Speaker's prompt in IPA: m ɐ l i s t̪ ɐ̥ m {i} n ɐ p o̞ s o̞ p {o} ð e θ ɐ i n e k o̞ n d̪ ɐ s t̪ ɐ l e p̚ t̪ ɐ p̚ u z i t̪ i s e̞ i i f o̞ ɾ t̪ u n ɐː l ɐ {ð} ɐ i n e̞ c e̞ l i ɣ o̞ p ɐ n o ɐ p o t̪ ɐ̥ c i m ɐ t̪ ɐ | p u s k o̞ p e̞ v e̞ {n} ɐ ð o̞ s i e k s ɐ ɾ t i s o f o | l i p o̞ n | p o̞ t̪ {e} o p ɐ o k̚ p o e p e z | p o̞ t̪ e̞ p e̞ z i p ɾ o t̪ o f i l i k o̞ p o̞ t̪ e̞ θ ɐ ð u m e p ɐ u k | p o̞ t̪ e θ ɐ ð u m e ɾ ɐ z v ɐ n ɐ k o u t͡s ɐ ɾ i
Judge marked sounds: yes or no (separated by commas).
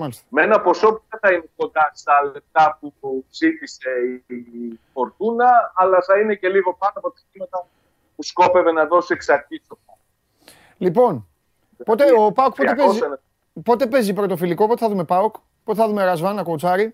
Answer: no, no, no, yes, yes